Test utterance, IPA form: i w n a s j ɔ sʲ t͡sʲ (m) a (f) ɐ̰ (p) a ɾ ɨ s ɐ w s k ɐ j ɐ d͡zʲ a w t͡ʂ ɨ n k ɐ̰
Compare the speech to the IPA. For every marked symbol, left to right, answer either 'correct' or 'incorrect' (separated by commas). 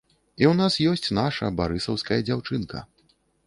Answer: incorrect, incorrect, incorrect